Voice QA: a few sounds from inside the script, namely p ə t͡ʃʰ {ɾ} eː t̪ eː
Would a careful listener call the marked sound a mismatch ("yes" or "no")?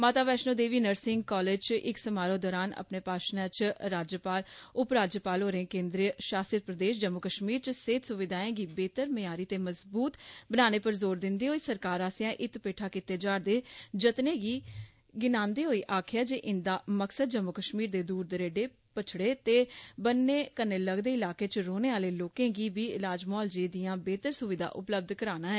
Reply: yes